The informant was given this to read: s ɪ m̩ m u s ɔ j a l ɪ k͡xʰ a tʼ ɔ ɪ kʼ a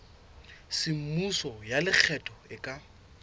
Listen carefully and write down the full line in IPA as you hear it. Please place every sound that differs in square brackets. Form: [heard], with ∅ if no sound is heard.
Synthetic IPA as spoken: s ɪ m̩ m u s ɔ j a l ɪ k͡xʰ [ɛ] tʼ ɔ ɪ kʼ a